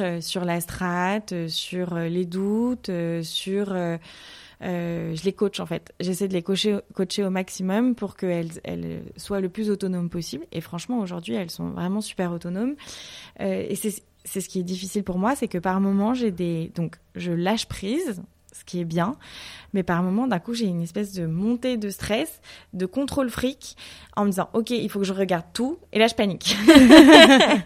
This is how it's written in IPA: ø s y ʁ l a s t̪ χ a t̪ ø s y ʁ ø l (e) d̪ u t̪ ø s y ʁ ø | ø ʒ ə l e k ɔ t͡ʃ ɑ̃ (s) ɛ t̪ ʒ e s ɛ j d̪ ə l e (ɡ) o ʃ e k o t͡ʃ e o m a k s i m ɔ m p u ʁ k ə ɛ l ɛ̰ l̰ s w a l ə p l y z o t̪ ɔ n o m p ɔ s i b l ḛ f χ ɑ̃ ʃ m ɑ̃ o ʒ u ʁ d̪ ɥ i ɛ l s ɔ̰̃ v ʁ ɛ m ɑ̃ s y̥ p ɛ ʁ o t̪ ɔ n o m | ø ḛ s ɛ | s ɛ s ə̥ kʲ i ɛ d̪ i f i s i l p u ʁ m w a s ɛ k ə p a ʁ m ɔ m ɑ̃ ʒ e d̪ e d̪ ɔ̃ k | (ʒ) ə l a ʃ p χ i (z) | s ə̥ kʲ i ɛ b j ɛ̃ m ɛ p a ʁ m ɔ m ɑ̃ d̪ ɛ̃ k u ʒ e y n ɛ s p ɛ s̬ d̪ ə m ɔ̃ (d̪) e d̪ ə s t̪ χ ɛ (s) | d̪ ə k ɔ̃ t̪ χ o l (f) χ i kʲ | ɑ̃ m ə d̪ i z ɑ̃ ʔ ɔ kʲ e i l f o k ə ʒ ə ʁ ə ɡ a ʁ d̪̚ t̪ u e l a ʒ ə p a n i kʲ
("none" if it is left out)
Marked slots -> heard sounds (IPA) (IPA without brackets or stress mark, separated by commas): e, f, k, ʒ, z, t̪, s, f